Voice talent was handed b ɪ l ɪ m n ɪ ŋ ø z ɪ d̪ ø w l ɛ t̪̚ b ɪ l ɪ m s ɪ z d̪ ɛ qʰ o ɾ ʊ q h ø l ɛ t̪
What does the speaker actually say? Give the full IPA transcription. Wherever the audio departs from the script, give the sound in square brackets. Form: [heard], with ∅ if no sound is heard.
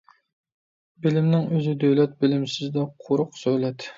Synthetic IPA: b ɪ l ɪ m n ɪ ŋ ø z ɪ d̪ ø w l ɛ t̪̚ b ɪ l ɪ m s ɪ z d̪ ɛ qʰ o ɾ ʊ q [s] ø l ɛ t̪

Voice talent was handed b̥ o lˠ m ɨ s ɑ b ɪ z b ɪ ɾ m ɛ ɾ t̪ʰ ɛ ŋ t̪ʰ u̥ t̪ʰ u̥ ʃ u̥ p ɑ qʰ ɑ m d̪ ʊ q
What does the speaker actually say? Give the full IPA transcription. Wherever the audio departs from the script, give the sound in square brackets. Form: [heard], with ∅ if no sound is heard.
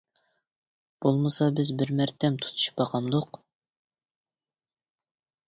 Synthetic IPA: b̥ o lˠ m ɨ s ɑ b ɪ z b ɪ ɾ m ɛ ɾ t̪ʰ ɛ [m] t̪ʰ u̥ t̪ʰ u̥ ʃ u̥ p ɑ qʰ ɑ m d̪ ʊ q

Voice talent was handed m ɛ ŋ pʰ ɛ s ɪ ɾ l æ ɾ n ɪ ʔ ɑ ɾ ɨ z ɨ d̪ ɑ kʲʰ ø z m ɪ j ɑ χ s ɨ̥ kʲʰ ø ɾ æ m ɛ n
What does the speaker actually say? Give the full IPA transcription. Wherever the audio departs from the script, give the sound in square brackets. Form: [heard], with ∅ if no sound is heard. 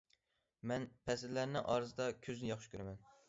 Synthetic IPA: m ɛ [n] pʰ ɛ s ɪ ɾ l æ ɾ n ɪ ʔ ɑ ɾ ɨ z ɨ d̪ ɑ kʲʰ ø z [n] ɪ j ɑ χ [ʃ] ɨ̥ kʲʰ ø ɾ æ m ɛ n

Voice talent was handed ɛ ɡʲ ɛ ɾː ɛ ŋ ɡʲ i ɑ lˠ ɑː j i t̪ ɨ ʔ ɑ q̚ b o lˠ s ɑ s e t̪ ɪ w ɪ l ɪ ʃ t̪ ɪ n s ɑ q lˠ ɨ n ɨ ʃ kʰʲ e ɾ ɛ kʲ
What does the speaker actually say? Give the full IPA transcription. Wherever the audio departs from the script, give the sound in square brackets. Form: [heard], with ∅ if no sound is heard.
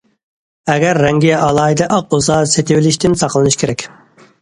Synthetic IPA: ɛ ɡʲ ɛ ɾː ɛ ŋ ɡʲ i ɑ lˠ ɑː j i [d̪] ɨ ʔ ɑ q̚ b o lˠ s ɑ s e t̪ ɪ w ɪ l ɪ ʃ t̪ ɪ n s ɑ q lˠ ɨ n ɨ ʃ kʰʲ e ɾ ɛ kʲ

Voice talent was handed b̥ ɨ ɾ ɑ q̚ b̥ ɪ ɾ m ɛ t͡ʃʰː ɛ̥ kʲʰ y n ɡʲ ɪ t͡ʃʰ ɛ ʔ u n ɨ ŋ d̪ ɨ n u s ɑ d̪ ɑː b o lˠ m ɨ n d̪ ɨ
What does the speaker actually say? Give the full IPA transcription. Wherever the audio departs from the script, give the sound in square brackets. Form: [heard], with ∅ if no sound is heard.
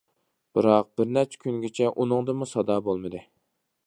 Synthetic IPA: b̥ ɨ ɾ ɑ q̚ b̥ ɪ ɾ [n] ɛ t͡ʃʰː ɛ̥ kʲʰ y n ɡʲ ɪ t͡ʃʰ ɛ ʔ u n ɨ ŋ d̪ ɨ [m] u s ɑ d̪ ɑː b o lˠ m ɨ [∅] d̪ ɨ

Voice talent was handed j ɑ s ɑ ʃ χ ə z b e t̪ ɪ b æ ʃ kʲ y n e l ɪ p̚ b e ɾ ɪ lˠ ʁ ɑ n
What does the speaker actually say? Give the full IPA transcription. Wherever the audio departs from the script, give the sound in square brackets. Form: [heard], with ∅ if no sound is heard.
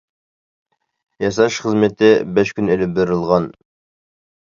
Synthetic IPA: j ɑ s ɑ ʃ χ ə z [m] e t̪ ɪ b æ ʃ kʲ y n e l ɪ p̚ b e ɾ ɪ lˠ ʁ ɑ n

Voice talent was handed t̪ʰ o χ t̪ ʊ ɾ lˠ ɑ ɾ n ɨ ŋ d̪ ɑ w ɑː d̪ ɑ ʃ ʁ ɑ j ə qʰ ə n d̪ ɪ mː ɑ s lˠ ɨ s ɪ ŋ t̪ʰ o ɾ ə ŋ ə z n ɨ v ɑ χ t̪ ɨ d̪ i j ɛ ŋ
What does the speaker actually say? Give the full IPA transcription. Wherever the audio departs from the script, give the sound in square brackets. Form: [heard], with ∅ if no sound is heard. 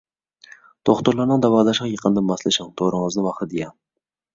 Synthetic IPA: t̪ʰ o χ t̪ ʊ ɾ lˠ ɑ ɾ n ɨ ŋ d̪ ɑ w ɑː d̪ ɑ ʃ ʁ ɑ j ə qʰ ə n d̪ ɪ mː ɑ s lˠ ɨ [ʃ] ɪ ŋ t̪ʰ o ɾ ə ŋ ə z n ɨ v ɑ χ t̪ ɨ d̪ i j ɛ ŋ

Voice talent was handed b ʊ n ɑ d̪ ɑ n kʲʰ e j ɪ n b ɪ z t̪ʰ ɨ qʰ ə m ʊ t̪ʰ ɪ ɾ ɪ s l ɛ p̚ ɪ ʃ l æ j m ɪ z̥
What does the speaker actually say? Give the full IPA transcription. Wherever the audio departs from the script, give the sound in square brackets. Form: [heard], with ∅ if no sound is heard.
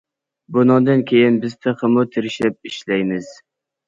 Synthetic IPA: b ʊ n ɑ d̪ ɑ n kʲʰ e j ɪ n b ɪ z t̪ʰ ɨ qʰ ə m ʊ t̪ʰ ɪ ɾ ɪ [ʃ] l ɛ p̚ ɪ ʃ l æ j m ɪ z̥

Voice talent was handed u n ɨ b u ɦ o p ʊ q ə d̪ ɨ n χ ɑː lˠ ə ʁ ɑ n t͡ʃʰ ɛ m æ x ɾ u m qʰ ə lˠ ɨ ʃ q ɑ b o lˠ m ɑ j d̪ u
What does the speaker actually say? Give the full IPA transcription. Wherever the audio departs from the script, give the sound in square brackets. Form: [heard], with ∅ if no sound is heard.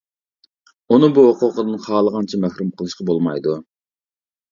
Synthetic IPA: u n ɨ b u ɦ o [q] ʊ q ə d̪ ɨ n χ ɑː lˠ ə ʁ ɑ n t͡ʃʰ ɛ m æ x ɾ u m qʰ ə lˠ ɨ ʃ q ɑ b o lˠ m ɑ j d̪ u

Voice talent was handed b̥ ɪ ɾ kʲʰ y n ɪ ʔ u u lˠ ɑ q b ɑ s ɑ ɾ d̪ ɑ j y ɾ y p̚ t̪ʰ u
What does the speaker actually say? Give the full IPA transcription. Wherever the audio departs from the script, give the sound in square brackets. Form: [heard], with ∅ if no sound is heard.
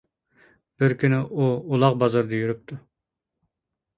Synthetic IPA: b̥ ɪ ɾ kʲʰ y n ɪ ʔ u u lˠ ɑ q b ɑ [z] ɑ ɾ d̪ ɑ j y ɾ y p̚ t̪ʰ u

